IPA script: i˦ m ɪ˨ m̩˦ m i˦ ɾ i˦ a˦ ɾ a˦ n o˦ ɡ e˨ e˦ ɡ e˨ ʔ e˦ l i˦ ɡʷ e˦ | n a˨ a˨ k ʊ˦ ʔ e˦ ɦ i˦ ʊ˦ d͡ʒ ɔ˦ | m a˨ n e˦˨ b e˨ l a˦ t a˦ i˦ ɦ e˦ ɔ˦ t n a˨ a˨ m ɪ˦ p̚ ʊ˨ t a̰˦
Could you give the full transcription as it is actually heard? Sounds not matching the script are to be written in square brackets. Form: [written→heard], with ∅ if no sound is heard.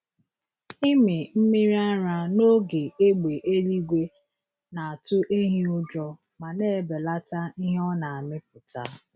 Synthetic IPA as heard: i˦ m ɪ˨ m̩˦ m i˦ ɾ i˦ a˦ ɾ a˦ n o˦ ɡ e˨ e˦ [ɡ→ɡ͡b] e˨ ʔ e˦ l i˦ ɡʷ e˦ | n a˨ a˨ [k→t] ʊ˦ ʔ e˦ ɦ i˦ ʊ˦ d͡ʒ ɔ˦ | m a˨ n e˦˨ b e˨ l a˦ t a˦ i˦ ɦ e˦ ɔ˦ [t→∅] n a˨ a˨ m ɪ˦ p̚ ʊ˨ t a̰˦

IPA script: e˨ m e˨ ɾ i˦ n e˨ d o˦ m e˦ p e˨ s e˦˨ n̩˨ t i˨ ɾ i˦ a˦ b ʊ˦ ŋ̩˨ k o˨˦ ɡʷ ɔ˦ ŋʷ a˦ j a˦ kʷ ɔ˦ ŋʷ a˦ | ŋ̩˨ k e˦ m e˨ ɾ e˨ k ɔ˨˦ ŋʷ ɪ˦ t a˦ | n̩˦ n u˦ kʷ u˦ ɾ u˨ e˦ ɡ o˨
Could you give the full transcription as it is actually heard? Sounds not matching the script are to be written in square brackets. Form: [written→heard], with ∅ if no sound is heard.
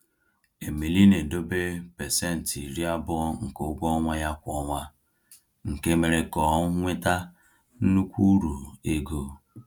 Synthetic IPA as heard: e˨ m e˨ [ɾ→l] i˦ n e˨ d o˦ [m→b] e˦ p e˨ s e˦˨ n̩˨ t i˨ ɾ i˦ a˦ b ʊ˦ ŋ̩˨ k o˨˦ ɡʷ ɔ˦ ŋʷ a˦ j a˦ kʷ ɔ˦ ŋʷ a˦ | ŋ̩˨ k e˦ m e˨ ɾ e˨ k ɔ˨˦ ŋʷ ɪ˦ t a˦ | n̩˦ n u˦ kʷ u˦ ɾ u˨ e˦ ɡ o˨

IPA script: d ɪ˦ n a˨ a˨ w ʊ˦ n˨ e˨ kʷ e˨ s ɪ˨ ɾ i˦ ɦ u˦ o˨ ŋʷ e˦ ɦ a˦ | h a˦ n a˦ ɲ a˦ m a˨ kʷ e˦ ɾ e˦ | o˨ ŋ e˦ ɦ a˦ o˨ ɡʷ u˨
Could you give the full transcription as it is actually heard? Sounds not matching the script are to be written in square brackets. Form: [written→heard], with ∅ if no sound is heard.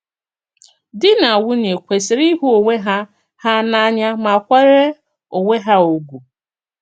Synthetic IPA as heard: d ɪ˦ n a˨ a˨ w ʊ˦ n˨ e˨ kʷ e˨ s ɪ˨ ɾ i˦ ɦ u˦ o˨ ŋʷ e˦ ɦ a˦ | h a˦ n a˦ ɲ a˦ m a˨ kʷ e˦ ɾ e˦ | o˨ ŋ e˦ ɦ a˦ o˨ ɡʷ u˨

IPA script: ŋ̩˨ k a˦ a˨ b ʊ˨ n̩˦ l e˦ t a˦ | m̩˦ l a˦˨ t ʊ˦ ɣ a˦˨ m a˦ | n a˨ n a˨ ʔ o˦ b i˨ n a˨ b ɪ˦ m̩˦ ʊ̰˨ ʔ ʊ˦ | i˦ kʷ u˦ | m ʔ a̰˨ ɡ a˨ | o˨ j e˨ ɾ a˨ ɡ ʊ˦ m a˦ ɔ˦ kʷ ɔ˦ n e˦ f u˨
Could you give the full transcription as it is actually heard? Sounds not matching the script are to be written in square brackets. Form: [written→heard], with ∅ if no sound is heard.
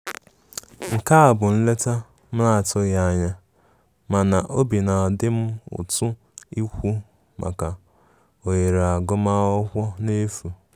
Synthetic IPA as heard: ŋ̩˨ k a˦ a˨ b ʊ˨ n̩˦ l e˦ t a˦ | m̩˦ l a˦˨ t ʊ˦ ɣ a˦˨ [m→ɲ] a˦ | [n→m] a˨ n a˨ ʔ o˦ b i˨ n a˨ [b→d] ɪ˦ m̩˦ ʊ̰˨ [ʔ→t] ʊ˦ | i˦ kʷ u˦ | m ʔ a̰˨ [ɡ→k] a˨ | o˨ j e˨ ɾ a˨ ɡ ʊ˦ m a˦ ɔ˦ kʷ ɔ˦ n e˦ f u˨

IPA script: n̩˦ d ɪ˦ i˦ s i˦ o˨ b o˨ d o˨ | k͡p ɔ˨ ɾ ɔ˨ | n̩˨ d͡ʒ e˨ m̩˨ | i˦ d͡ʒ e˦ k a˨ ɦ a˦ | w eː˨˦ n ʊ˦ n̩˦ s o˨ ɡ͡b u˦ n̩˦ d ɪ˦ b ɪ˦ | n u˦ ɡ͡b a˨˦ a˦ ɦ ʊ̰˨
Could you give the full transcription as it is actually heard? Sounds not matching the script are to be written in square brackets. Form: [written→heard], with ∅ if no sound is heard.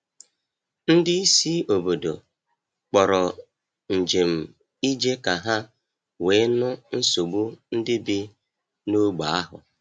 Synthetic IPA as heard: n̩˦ d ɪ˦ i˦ s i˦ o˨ b o˨ d o˨ | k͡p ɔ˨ ɾ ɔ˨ | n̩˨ d͡ʒ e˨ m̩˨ | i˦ d͡ʒ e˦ k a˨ ɦ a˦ | w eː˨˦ n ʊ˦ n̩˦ s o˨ ɡ͡b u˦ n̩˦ d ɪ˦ b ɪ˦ | n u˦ ɡ͡b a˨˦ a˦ ɦ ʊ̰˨

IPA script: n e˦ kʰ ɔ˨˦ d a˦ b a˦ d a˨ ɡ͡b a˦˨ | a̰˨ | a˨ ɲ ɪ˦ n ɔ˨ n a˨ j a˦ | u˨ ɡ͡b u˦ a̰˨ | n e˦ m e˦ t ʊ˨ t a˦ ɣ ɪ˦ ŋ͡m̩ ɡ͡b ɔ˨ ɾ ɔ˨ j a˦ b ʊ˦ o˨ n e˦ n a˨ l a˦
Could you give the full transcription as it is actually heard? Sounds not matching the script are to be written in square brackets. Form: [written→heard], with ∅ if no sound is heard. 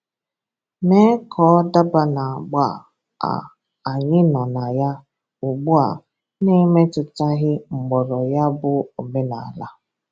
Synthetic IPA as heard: n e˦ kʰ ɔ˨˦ d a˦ b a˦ [d→n] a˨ ɡ͡b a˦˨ | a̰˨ | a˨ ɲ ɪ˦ n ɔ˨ n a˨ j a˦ | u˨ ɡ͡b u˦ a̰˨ | n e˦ m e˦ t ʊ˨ t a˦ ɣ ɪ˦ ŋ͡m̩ ɡ͡b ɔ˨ ɾ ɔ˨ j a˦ b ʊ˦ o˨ [n→m] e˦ n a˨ l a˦

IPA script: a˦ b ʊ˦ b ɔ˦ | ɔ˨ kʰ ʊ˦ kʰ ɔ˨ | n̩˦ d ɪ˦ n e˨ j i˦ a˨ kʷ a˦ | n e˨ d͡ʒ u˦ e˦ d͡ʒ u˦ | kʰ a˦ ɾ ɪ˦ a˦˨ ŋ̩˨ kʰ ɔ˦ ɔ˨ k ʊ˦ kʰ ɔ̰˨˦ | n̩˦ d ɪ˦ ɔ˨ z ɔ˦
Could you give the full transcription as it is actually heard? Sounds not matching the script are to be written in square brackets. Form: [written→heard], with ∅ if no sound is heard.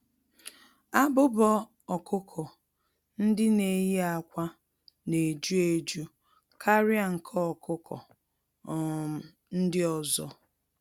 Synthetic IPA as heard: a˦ b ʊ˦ b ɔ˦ | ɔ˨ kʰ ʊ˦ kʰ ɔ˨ | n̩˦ d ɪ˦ n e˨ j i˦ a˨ kʷ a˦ | n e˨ d͡ʒ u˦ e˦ d͡ʒ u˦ | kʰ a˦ ɾ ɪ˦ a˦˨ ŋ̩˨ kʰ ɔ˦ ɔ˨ k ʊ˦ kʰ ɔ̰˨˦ | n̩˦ d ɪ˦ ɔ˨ z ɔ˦

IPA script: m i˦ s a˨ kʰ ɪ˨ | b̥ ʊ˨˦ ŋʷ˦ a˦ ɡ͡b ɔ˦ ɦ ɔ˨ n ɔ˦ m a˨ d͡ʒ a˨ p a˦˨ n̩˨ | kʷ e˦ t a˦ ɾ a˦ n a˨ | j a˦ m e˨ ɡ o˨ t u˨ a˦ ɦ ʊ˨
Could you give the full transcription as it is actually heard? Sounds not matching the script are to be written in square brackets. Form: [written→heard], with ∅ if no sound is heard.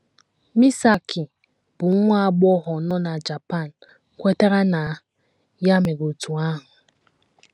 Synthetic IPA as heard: m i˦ s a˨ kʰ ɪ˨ | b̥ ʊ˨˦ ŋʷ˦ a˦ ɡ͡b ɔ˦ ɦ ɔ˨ n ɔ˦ [m→n] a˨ d͡ʒ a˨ p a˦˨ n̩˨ | kʷ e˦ t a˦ ɾ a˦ n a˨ | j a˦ m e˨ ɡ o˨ t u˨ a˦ ɦ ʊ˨

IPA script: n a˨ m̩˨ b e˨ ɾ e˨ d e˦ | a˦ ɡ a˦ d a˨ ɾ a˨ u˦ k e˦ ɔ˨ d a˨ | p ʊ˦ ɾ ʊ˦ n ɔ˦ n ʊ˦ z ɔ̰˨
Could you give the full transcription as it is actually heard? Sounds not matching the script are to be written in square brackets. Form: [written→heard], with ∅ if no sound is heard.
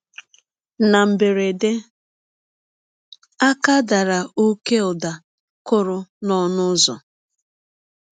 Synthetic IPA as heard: n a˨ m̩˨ b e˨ ɾ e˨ d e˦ | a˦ [ɡ→k] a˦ d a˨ ɾ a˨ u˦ k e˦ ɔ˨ d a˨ | [p→k] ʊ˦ ɾ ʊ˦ n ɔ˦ n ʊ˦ z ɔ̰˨

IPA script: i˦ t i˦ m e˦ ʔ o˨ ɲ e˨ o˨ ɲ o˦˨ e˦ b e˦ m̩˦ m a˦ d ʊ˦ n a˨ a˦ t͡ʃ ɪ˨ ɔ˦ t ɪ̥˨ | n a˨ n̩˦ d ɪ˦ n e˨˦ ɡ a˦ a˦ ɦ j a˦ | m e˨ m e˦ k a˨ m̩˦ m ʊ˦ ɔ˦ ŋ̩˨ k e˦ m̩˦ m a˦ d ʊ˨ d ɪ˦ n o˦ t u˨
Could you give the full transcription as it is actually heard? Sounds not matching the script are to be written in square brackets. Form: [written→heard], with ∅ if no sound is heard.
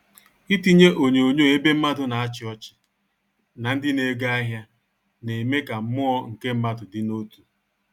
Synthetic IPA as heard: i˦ t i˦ [m→ɲ] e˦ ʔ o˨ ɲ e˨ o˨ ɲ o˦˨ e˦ b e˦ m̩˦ m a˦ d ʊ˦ n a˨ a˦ t͡ʃ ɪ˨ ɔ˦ [t→t͡ʃ] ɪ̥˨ | n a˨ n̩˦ d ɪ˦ n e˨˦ ɡ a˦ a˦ ɦ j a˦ | [m→n] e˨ m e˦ k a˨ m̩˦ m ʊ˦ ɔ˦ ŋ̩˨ k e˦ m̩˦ m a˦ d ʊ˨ d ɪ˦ n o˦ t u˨

